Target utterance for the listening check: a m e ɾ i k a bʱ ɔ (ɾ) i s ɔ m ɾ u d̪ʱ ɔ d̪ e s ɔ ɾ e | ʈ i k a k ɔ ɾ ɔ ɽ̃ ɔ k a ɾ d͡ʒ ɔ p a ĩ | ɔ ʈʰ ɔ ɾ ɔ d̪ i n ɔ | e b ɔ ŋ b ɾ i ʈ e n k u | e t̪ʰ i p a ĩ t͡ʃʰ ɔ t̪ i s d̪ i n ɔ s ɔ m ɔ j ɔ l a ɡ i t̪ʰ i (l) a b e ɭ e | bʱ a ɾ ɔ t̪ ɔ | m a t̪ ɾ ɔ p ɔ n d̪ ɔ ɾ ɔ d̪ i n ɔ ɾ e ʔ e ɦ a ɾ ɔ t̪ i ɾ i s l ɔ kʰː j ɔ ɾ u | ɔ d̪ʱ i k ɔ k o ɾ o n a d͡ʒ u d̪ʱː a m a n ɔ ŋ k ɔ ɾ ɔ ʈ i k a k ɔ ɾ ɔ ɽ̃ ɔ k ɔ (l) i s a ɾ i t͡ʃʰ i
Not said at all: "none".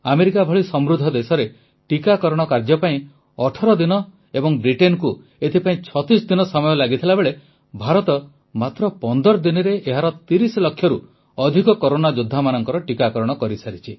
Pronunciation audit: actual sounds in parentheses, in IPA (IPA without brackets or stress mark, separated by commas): ɭ, l, ɾ